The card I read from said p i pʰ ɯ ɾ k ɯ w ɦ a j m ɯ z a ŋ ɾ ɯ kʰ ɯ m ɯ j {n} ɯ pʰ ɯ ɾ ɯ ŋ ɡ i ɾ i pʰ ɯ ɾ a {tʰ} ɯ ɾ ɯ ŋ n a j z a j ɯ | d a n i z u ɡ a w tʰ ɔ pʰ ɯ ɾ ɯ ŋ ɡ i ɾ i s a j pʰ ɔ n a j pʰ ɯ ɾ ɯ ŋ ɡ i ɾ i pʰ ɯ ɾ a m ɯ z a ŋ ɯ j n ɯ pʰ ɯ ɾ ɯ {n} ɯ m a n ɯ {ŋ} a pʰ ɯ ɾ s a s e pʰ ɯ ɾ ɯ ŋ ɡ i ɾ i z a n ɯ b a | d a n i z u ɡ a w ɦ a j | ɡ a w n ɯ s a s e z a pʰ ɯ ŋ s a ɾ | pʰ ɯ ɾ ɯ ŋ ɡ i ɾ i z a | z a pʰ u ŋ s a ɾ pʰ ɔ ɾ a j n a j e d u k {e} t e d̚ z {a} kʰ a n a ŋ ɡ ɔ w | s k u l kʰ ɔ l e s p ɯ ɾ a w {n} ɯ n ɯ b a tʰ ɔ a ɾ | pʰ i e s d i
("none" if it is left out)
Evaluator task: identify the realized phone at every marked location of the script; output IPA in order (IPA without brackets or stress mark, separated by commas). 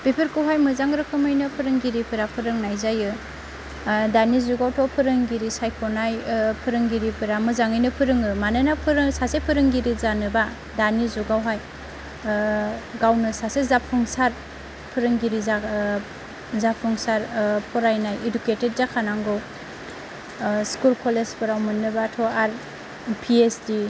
n, pʰ, ŋ, n, e, a, m